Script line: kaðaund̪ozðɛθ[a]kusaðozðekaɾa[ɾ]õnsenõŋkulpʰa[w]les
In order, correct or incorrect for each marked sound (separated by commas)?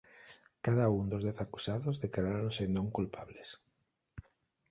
correct, correct, incorrect